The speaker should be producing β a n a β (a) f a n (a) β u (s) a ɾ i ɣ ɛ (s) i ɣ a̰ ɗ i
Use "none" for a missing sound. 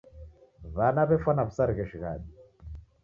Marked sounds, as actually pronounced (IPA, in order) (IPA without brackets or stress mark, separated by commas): ɛ, a, s, ʃ